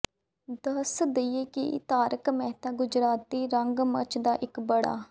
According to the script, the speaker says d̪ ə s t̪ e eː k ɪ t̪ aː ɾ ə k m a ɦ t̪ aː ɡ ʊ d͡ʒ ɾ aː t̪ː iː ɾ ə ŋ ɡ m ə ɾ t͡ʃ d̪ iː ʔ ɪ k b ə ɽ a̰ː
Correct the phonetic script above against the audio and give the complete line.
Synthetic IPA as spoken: d̪ ə s d̪ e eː k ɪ t̪ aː ɾ ə k m ɛ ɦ t̪ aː ɡ ʊ d͡ʒ ɾ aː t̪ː iː ɾ ə ŋ ɡ m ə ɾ t͡ʃ d̪ aː ʔ ɪ k b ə ɽ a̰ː